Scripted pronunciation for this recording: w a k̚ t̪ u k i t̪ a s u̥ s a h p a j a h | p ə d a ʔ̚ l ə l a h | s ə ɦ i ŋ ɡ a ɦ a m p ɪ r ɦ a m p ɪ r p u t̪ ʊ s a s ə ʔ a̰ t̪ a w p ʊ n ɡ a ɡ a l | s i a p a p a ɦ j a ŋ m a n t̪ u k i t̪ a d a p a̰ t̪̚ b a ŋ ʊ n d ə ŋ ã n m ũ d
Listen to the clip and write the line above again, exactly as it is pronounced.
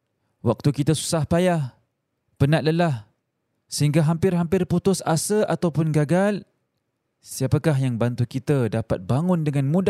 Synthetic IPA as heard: w a k̚ t̪ u k i t̪ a s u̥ s a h p a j a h | p ə n a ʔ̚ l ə l a h | s ə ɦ i ŋ ɡ a ɦ a m p ɪ r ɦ a m p ɪ r p u t̪ ʊ s a s ə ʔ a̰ t̪ a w p ʊ n ɡ a ɡ a l | s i a p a k a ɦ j a ŋ b a n t̪ u k i t̪ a d a p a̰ t̪̚ b a ŋ ʊ n d ə ŋ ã n m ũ d